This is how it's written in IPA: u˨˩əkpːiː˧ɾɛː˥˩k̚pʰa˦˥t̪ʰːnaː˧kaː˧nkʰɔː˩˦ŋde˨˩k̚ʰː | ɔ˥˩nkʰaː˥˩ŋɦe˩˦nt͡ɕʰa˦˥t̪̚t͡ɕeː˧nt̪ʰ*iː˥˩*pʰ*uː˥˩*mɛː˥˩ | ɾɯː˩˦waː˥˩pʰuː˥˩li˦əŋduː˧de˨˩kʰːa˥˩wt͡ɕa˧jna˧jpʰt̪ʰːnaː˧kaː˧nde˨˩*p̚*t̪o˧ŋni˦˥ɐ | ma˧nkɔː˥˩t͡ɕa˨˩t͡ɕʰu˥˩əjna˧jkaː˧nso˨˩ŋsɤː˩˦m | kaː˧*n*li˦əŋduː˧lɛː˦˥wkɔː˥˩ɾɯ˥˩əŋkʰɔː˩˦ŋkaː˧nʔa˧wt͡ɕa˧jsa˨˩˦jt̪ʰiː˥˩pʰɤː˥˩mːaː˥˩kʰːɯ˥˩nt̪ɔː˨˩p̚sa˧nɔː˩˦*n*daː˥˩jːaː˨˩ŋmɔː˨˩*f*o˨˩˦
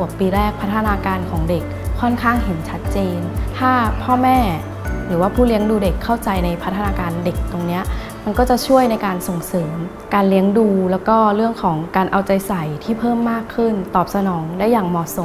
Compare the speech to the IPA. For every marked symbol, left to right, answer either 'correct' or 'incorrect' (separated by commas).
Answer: incorrect, incorrect, incorrect, correct, incorrect, incorrect